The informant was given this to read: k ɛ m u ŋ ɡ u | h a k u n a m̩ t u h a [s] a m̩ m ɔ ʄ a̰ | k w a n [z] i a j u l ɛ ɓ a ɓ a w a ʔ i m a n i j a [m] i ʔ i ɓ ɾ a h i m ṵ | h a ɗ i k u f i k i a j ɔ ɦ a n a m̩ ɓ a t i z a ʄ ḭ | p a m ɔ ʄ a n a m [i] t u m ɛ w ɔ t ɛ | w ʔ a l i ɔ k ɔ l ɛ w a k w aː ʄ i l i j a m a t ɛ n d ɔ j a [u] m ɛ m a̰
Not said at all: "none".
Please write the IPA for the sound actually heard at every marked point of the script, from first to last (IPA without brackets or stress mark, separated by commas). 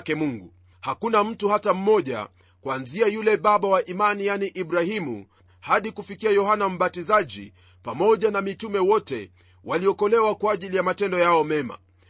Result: t, z, n, i, ɔ